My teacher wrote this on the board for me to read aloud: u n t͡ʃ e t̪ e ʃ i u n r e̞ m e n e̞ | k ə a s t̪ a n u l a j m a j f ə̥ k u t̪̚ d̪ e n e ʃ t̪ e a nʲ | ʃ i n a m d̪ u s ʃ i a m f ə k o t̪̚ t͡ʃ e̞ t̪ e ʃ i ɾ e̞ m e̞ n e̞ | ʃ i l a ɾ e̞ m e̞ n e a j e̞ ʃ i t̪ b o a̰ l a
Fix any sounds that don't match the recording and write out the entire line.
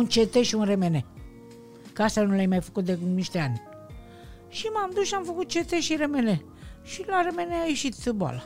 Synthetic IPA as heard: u n t͡ʃ e t̪ e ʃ i u n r e̞ m e n e̞ | k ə a s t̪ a n u l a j m a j f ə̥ k u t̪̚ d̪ e n i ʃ t̪ e a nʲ | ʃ i m a m d̪ u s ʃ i a m f ə k u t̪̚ t͡ʃ e̞ t̪ e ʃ i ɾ e̞ m e̞ n e̞ | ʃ i l a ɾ e̞ m e̞ n e a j e̞ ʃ i t̪ b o a̰ l a